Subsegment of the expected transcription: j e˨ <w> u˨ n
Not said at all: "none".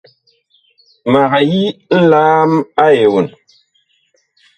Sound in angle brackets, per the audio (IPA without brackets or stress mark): w